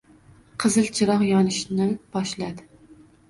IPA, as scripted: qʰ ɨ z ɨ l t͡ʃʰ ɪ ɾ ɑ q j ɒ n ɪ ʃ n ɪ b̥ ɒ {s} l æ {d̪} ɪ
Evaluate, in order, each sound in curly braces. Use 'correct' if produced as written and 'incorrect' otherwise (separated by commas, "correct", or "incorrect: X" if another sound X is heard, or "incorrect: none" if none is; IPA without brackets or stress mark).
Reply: incorrect: ʃ, correct